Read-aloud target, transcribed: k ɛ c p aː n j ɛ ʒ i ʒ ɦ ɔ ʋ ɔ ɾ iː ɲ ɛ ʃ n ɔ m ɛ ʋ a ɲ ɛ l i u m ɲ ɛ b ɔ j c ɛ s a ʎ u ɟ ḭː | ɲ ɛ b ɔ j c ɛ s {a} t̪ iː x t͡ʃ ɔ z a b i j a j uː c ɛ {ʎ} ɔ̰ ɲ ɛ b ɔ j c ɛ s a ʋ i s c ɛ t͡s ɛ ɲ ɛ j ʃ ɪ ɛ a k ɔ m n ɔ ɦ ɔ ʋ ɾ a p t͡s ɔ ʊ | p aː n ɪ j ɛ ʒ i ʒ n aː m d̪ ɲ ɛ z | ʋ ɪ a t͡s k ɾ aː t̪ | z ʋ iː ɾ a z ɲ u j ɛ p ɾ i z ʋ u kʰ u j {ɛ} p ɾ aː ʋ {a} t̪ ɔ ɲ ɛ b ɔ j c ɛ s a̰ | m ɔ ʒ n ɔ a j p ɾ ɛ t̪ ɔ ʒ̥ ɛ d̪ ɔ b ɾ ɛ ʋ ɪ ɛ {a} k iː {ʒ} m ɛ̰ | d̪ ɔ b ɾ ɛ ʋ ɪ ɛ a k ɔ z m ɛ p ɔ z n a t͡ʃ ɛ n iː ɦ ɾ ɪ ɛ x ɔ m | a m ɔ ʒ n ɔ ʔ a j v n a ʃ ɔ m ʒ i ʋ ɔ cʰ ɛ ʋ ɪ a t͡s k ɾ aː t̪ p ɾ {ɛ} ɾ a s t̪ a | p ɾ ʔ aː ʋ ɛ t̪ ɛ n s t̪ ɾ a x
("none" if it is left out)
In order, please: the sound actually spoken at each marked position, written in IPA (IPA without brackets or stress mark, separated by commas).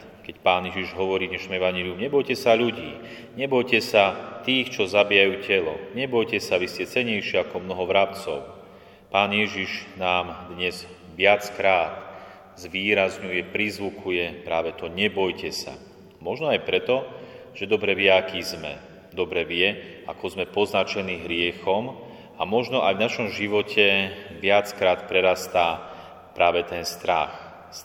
a, l, ɛ, ɛ, a, z, ɛ